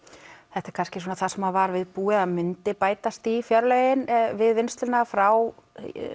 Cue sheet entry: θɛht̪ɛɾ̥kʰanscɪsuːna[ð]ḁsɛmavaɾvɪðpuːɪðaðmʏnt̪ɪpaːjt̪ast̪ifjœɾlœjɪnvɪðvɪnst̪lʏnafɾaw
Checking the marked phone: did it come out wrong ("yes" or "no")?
yes